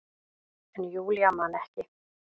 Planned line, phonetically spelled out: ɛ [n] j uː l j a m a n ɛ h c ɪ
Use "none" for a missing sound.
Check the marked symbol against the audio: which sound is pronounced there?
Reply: n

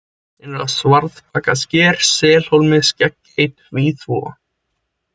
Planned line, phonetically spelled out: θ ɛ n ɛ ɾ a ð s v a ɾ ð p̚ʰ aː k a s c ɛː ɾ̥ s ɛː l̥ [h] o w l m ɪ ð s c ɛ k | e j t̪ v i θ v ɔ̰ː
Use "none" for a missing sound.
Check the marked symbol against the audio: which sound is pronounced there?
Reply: h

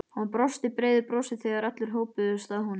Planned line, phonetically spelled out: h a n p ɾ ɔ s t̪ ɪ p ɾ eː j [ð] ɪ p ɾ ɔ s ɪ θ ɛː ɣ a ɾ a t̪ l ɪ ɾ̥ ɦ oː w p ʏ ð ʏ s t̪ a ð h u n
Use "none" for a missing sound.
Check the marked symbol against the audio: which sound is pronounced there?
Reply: ð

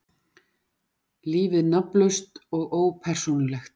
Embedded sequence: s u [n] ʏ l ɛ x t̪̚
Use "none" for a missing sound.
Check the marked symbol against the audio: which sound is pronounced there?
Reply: n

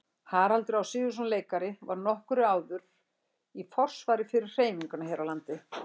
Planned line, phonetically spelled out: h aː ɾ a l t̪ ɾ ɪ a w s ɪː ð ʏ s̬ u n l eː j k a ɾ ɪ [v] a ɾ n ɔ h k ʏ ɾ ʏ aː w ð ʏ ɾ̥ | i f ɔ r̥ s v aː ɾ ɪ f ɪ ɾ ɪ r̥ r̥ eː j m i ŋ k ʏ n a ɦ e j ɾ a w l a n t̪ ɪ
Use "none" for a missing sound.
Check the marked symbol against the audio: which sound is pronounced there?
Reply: v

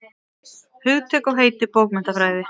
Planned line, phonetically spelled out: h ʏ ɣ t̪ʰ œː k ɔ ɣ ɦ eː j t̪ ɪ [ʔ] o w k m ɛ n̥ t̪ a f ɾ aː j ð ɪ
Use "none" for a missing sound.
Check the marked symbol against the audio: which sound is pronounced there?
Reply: p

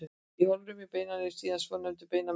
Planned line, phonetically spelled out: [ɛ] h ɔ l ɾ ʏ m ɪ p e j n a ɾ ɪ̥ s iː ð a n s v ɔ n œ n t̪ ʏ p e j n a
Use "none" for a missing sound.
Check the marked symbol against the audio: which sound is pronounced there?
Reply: i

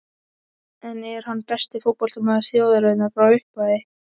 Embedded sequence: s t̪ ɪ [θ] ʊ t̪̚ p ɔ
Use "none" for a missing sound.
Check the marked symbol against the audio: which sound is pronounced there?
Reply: f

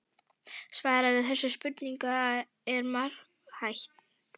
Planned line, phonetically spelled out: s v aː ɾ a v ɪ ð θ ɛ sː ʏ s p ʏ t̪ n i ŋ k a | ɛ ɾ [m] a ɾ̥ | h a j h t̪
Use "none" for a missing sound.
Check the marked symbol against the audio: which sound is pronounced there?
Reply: m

